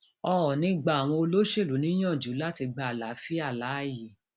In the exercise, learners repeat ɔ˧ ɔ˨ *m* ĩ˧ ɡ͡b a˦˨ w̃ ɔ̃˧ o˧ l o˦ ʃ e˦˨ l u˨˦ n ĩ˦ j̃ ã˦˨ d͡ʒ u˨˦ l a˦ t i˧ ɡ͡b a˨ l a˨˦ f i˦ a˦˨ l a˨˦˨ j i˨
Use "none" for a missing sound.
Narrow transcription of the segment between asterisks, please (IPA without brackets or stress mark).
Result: n